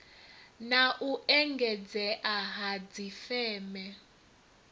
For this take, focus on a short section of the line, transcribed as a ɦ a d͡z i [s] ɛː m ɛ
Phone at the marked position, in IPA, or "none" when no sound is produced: f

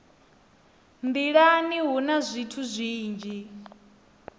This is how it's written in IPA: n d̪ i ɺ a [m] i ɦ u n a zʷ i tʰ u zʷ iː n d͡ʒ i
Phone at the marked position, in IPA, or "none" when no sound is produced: n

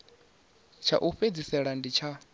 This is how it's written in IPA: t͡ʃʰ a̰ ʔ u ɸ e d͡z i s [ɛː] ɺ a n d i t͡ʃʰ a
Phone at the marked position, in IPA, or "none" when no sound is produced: ɛ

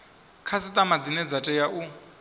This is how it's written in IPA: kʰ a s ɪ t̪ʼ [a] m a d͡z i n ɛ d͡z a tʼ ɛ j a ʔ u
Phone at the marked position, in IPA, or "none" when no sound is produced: a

